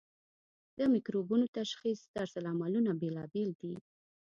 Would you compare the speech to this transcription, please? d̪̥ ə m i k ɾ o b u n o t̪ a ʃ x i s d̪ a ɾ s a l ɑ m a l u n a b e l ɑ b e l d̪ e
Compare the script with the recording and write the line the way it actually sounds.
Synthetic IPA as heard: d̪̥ ə m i k ɾ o b u n o t̪ a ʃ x i s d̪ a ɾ s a l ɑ m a l u n a b e l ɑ b e l d̪ i